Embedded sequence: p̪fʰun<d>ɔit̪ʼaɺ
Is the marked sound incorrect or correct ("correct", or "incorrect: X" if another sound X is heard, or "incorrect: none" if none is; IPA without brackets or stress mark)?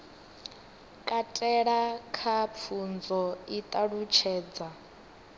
incorrect: d͡z